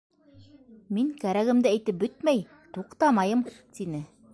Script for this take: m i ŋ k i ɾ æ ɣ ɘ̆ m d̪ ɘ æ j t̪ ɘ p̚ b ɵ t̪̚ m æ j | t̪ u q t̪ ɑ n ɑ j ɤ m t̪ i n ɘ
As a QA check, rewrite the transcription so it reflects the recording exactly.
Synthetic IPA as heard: m i ŋ k æ ɾ æ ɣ ɘ̆ m d̪ ɘ æ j t̪ ɘ p̚ b ɵ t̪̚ m æ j | t̪ u q t̪ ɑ m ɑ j ɤ m t̪ i n ɘ